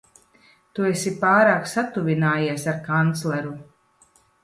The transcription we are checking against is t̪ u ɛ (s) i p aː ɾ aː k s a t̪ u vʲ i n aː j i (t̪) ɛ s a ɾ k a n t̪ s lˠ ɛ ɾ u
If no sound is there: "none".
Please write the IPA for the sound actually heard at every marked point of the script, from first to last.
s, none

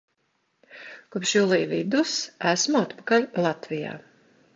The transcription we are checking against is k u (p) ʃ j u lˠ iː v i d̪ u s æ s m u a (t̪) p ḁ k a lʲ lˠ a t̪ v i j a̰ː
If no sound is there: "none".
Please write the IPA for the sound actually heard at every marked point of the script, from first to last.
p, t̪

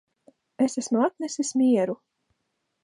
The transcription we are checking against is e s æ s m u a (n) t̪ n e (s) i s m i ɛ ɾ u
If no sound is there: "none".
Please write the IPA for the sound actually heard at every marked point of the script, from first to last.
none, s

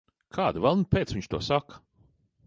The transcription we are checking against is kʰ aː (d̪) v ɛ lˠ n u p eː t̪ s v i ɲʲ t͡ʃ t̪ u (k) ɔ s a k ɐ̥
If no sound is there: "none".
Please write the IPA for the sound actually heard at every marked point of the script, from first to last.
d̪, none

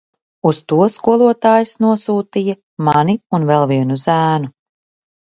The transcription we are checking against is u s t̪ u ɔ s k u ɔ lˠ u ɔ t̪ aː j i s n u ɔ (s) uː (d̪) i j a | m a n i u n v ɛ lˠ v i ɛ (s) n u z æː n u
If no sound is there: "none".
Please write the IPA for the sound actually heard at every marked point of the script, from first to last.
s, t̪, none

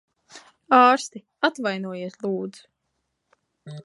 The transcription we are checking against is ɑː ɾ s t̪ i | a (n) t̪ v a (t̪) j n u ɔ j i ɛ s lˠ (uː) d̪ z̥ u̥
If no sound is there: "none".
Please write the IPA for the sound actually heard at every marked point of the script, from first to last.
none, none, uː

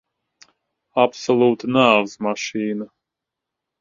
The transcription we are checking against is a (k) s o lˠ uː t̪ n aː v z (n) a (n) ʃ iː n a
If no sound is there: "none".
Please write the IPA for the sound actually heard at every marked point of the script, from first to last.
p, m, none

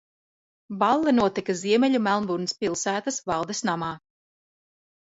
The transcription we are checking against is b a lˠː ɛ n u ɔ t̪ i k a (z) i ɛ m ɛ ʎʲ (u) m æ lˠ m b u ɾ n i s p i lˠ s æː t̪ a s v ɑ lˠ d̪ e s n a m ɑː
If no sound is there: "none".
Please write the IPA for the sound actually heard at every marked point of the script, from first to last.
z, u

